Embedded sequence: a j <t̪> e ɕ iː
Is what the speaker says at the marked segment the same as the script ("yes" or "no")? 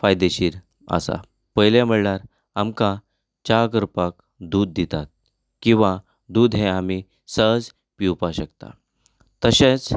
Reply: no